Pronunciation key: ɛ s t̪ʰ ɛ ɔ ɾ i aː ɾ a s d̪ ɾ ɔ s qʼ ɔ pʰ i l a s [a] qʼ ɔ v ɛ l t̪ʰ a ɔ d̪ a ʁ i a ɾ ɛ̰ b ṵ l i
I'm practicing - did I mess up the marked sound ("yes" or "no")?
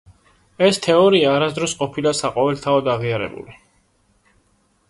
no